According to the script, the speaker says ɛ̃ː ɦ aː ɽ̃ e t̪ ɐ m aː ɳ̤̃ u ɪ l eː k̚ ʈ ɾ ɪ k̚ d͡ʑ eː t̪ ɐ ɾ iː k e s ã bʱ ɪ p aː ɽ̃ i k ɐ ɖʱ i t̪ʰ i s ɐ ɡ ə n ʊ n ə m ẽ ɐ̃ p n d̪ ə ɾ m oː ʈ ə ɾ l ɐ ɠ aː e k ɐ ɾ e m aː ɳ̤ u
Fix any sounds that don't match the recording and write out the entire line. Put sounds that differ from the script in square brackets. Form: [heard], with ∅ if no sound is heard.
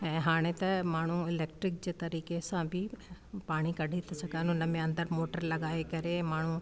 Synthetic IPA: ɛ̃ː ɦ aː ɽ̃ e t̪ ɐ m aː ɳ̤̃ u ɪ l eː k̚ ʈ ɾ ɪ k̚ d͡ʑ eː t̪ ɐ ɾ iː k e s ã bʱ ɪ p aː ɽ̃ i k ɐ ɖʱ i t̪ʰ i s ɐ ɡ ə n ʊ n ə m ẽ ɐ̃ [∅] n d̪ ə ɾ m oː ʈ ə ɾ l ɐ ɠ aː e k ɐ ɾ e m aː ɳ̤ u

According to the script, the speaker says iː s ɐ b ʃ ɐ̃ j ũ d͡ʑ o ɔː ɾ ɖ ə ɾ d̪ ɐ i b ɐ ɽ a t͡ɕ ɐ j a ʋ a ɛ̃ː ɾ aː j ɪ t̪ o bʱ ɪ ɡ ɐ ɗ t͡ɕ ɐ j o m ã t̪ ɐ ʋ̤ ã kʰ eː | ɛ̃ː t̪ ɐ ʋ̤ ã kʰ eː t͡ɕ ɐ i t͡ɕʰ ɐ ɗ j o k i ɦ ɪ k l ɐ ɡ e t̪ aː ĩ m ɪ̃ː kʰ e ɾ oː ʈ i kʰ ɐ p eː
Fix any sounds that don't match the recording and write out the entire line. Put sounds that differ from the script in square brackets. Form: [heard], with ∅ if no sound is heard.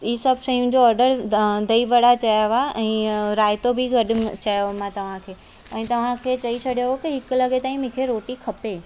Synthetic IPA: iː s ɐ b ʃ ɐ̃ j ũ d͡ʑ o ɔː ɾ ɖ ə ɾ d̪ ɐ i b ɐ ɽ a t͡ɕ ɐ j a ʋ a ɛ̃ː ɾ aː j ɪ t̪ o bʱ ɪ ɡ ɐ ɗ t͡ɕ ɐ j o m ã t̪ ɐ ʋ̤ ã kʰ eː | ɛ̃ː t̪ ɐ ʋ̤ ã kʰ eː t͡ɕ ɐ i t͡ɕʰ ɐ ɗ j o k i ɦ ɪ k l ɐ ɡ e t̪ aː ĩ m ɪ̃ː kʰ e ɾ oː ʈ i kʰ ɐ p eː

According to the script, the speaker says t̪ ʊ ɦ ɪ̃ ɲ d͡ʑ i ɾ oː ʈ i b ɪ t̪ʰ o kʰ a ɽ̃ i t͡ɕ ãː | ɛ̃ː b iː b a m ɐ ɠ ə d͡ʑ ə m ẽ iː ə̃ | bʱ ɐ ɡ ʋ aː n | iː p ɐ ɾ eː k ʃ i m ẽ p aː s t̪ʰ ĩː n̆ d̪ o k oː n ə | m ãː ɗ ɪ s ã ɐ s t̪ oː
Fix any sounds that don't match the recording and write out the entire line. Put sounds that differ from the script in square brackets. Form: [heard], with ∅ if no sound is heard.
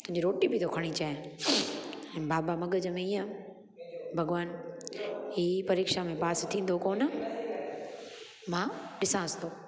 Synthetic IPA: t̪ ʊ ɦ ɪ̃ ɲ d͡ʑ i ɾ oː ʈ i b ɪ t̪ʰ o kʰ [ɐ] ɽ̃ i t͡ɕ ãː | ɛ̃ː b [aː] b a m ɐ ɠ ə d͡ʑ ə m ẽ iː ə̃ | bʱ ɐ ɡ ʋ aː n | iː p ɐ ɾ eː k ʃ [a] m ẽ p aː s t̪ʰ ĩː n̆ d̪ o k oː n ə | m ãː ɗ ɪ s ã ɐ s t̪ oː

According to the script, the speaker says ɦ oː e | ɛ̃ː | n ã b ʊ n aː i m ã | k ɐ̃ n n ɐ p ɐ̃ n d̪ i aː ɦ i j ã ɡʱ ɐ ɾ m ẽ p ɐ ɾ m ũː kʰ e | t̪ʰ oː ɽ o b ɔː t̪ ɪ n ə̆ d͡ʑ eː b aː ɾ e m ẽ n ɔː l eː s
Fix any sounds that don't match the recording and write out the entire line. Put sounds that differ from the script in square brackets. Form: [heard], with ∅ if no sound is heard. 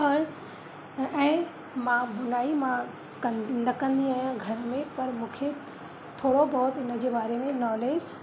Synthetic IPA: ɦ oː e | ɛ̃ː | [m] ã b ʊ n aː i m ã | k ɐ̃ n n ɐ [k] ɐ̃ n d̪ i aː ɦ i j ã ɡʱ ɐ ɾ m ẽ p ɐ ɾ m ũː kʰ e | t̪ʰ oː ɽ o b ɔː t̪ ɪ n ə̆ d͡ʑ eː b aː ɾ e m ẽ n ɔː l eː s

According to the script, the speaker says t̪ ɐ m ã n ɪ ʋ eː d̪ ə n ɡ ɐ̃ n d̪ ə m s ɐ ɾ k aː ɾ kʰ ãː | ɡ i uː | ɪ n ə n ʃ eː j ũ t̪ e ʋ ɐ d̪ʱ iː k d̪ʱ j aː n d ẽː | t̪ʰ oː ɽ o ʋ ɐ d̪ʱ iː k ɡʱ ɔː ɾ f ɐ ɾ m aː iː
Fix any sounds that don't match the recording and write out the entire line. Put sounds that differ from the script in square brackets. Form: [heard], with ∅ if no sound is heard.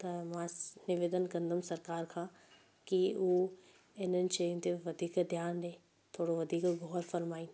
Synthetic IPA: t̪ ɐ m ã n ɪ ʋ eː d̪ ə n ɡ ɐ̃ n d̪ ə m s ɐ ɾ k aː ɾ kʰ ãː | [k] i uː | ɪ n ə n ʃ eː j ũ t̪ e ʋ ɐ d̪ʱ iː k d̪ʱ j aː n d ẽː | t̪ʰ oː ɽ o ʋ ɐ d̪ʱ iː k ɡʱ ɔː ɾ f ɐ ɾ m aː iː

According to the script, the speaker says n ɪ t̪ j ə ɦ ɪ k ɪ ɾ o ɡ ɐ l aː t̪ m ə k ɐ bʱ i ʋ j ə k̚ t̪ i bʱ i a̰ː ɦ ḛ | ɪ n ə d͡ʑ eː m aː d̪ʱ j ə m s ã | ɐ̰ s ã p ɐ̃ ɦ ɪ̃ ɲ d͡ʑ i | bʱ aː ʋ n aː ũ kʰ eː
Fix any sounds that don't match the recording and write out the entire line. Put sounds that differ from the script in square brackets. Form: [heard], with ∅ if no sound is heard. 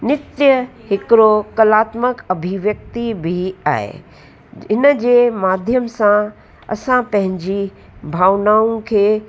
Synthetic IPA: n ɪ t̪ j ə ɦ ɪ k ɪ ɾ o [k] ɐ l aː t̪ m ə k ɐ bʱ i ʋ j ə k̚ t̪ i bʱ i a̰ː ɦ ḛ | ɪ n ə d͡ʑ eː m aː d̪ʱ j ə m s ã | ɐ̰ s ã p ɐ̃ ɦ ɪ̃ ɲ d͡ʑ i | bʱ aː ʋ n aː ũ kʰ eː

